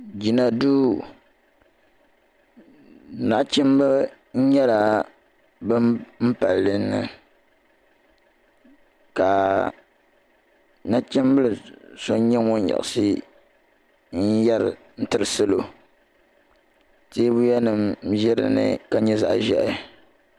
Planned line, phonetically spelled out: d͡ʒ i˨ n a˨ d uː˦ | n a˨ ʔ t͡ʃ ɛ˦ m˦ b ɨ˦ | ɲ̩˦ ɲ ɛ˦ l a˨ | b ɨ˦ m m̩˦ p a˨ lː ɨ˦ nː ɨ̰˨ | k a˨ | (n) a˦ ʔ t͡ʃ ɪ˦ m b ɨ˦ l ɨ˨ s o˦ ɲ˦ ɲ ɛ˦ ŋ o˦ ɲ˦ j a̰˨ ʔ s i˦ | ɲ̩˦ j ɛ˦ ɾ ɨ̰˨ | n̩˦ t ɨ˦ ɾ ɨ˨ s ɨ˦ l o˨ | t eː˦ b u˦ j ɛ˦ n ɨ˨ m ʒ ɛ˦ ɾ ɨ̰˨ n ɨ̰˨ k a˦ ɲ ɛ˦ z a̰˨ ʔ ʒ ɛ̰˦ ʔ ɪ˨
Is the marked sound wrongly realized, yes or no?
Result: no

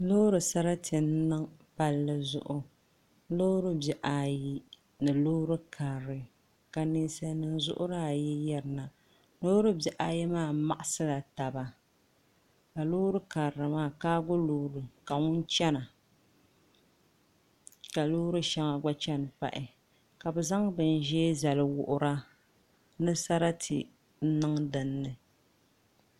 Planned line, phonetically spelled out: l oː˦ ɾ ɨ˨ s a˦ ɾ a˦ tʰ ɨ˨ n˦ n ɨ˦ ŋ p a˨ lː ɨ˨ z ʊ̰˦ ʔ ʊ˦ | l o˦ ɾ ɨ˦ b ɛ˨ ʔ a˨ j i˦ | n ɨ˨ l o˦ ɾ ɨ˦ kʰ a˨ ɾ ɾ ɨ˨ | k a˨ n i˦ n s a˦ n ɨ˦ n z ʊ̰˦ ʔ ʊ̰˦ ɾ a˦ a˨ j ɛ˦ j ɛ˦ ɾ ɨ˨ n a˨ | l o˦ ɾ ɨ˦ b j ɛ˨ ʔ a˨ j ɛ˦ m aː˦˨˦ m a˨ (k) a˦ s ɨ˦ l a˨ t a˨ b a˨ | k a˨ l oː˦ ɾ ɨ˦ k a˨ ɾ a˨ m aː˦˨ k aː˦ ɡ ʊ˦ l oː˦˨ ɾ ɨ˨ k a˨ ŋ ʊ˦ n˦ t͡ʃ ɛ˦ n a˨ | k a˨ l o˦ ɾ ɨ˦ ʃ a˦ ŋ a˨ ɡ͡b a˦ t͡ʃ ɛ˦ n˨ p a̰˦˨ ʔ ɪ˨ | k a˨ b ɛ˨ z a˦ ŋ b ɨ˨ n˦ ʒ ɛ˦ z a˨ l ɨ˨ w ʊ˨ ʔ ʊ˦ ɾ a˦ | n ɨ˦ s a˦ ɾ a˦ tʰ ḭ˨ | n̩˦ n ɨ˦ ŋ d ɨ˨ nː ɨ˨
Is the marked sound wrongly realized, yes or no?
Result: yes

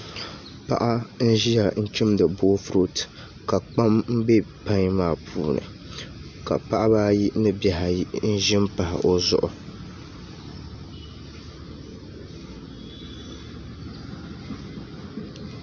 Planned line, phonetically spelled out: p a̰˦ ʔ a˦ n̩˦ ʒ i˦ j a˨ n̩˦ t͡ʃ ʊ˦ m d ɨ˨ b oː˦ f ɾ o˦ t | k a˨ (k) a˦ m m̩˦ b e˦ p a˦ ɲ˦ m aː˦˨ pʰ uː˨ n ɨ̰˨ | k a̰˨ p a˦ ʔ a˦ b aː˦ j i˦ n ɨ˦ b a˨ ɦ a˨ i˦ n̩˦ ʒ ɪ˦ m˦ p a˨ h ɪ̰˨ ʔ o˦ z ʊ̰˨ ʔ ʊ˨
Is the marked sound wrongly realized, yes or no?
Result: yes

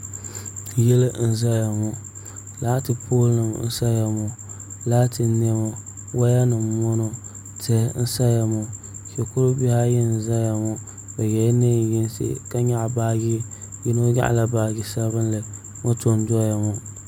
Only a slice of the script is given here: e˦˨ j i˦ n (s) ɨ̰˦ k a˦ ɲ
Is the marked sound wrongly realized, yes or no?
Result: no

